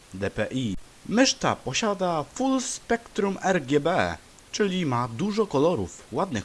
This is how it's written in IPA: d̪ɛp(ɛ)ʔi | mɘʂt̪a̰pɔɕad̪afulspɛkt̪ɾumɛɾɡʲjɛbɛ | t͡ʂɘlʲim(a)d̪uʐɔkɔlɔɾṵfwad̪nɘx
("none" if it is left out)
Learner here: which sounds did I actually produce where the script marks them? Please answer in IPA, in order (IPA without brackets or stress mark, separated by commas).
ɛ, a